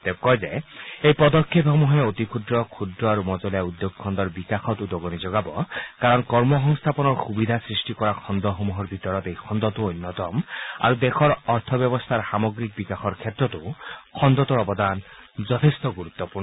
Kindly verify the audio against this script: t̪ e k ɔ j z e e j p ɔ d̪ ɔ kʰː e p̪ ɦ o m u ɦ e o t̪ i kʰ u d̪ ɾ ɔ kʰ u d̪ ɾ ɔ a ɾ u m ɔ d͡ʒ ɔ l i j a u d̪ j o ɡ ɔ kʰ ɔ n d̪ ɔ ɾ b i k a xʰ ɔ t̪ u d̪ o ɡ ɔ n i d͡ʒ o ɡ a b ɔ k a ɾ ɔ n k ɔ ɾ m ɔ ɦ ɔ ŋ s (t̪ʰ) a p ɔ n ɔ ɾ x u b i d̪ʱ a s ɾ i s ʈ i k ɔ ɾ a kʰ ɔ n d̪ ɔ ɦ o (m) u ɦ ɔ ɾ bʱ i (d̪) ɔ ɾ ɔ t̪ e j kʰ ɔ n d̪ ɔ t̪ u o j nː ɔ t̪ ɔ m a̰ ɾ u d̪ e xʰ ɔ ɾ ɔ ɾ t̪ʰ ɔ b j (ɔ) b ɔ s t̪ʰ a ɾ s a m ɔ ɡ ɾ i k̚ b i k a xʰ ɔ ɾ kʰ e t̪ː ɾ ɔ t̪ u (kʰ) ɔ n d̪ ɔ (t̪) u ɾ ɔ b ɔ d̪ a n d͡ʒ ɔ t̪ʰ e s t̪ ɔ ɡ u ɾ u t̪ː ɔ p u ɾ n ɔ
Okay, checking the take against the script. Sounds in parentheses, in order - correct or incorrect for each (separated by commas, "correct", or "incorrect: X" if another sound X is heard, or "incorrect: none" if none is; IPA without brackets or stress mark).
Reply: correct, correct, incorrect: t̪, correct, correct, correct